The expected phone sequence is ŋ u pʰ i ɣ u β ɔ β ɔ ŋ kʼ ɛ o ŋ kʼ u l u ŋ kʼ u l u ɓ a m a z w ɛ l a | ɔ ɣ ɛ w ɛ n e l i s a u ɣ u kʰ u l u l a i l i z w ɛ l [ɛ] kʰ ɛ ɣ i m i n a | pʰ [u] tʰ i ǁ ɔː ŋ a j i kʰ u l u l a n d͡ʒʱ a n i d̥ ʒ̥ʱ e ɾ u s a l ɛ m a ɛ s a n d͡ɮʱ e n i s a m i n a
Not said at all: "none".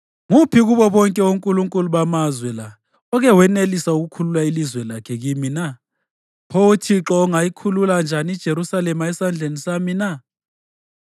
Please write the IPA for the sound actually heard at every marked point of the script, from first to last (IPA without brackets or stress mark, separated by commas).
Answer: a, o